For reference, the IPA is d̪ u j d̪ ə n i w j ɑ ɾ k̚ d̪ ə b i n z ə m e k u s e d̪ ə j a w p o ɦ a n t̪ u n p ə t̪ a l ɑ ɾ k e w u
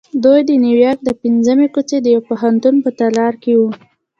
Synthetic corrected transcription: d̪ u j d̪ ə n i w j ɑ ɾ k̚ d̪ ə p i n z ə m e k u t͡s e d̪ ə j a w p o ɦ a n t̪ u n p ə t̪ a l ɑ ɾ k e w u